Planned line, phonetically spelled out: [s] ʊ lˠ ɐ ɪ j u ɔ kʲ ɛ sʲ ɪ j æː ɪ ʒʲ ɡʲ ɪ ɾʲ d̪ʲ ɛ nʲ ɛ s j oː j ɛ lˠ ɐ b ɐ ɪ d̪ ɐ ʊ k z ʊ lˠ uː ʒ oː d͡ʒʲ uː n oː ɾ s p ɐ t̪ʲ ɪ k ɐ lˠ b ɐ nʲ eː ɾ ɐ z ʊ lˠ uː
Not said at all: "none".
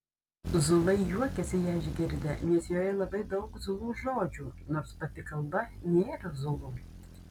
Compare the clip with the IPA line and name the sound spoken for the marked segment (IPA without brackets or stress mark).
z